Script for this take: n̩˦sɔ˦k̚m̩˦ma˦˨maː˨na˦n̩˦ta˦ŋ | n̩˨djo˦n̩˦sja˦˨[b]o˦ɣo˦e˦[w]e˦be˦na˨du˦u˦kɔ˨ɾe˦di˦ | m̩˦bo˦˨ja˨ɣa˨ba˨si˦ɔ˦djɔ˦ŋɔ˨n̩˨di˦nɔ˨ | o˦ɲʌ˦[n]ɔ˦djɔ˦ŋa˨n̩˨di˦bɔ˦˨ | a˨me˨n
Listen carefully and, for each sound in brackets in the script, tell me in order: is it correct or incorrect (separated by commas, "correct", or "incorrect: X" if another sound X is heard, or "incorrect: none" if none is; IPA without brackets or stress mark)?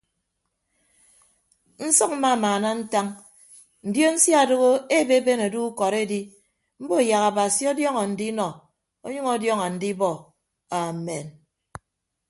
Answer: incorrect: d, incorrect: b, incorrect: ŋ